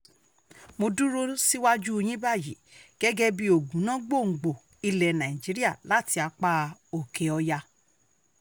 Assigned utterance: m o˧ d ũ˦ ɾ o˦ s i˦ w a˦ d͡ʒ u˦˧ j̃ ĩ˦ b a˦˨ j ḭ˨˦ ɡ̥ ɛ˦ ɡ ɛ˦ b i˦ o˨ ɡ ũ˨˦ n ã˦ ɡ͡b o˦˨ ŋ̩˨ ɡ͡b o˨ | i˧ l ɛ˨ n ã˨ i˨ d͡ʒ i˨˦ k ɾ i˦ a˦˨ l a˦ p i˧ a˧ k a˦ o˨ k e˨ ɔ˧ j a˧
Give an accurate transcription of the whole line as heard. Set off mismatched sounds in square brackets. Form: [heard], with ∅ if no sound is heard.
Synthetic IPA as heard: m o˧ d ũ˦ ɾ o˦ s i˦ w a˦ d͡ʒ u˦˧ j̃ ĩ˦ b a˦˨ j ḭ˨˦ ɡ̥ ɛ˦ ɡ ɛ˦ b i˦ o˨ ɡ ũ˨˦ n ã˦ ɡ͡b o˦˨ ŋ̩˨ ɡ͡b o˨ | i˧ l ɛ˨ n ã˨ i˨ d͡ʒ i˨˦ [∅] ɾ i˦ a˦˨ l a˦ [t] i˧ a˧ [k͡p] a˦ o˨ k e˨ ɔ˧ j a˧